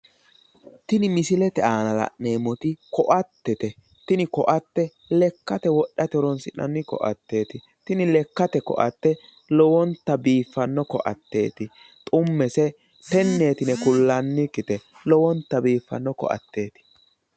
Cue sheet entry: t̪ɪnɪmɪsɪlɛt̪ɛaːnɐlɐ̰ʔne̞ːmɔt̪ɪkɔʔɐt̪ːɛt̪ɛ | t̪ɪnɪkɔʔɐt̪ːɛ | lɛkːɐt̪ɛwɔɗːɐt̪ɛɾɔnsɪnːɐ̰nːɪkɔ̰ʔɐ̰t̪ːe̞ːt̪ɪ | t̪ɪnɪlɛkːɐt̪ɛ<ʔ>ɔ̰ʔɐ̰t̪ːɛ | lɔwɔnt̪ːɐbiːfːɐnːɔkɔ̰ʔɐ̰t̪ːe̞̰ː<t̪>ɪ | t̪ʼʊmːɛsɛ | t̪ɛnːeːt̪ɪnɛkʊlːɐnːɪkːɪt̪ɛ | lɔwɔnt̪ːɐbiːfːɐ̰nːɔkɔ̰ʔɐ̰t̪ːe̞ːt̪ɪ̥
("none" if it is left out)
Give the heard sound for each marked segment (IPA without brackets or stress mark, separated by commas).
k, t̪